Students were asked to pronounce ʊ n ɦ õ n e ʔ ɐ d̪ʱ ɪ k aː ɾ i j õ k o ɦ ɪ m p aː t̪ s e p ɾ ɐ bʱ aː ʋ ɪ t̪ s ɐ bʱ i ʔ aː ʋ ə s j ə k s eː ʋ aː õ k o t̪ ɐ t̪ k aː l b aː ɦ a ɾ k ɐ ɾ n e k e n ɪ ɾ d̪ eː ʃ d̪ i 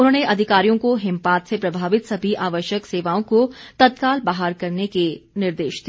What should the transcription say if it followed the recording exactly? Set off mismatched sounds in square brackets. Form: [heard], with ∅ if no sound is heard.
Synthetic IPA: ʊ n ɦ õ n e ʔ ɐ d̪ʱ ɪ k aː ɾ i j õ k o ɦ ɪ m p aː t̪ s e p ɾ ɐ bʱ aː ʋ ɪ t̪ s ɐ bʱ i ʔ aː ʋ ə [ʃ] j ə k s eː ʋ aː õ k o t̪ ɐ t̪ k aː l b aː ɦ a ɾ k ɐ ɾ n e k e n ɪ ɾ d̪ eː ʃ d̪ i

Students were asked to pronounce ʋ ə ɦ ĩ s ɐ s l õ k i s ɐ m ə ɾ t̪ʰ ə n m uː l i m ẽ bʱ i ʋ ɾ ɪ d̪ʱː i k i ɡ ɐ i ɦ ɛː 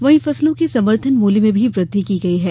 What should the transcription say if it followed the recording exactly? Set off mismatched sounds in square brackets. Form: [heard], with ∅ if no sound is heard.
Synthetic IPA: ʋ [ɐ] ɦ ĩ [f] ɐ s l õ k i s ɐ m ə ɾ t̪ʰ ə n m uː l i m ẽ bʱ i ʋ ɾ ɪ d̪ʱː i k i ɡ ɐ i ɦ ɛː

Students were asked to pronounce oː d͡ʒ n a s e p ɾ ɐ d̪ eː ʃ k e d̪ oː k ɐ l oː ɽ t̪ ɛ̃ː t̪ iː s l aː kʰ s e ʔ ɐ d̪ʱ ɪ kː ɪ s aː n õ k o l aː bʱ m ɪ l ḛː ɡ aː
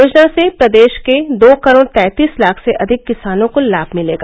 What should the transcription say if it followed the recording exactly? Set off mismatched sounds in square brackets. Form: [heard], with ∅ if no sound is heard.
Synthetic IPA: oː d͡ʒ n a s e p ɾ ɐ d̪ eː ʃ k e d̪ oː k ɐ [ɾ] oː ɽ t̪ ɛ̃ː t̪ iː s l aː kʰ s e ʔ ɐ d̪ʱ ɪ kː ɪ s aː n õ k o l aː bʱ m ɪ l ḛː ɡ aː

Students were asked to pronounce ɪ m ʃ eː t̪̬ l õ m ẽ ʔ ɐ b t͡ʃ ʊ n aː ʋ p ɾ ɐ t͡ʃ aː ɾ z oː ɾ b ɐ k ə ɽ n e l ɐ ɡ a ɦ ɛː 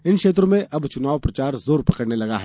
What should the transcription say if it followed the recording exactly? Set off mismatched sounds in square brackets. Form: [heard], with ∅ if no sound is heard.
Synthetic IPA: ɪ [n] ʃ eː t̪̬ [ɾ] õ m ẽ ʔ ɐ b t͡ʃ ʊ n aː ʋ p ɾ ɐ t͡ʃ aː ɾ z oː ɾ [p] ɐ k ə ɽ n e l ɐ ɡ a ɦ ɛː

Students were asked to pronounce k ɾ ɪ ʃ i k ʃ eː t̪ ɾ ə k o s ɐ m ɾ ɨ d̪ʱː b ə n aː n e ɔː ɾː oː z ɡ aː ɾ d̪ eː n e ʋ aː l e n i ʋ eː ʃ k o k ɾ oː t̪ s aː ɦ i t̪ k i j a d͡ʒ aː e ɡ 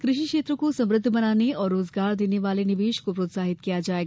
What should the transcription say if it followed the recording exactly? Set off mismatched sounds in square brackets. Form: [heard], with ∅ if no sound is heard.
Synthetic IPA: k ɾ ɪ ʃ i k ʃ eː t̪ ɾ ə k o s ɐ m ɾ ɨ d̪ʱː b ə n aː n e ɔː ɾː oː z ɡ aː ɾ d̪ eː n e ʋ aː l e n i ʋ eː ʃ k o [p] ɾ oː t̪ s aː ɦ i t̪ k i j a d͡ʒ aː e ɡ

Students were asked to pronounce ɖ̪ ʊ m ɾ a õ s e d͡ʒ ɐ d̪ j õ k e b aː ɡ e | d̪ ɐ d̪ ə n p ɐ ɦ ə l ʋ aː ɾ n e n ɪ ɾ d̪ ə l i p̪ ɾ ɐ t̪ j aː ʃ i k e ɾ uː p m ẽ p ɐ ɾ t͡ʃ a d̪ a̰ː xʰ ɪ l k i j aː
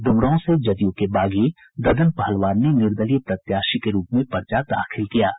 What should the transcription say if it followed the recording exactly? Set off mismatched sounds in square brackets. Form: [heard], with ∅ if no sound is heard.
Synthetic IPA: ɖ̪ ʊ m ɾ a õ s e d͡ʒ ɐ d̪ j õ k e b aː ɡ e | d̪ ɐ d̪ ə n p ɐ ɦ ə l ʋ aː ɾ n e n ɪ ɾ d̪ ə l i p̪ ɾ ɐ t̪ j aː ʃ i k e ɾ uː p m ẽ p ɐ ɾ t͡ʃ a d̪ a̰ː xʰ ɪ l k i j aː

